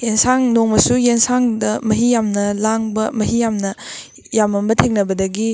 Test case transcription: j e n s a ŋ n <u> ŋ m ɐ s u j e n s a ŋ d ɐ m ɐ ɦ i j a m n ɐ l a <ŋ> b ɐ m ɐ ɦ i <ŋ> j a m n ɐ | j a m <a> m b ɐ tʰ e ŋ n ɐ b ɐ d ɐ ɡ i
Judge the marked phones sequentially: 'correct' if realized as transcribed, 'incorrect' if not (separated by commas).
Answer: incorrect, correct, incorrect, incorrect